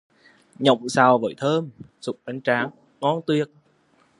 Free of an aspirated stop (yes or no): no